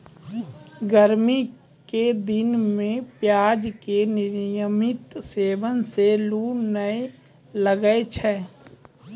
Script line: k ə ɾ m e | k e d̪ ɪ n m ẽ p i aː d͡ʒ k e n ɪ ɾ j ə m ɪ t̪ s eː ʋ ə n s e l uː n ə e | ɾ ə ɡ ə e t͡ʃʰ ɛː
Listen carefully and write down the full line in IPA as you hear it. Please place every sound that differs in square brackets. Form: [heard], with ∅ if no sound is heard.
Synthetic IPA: [ɡ] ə ɾ m [i] | k e d̪ ɪ n m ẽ p [j] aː d͡ʒ k e n ɪ ɾ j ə m ɪ t̪ s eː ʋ ə n s e l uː n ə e | [l] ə ɡ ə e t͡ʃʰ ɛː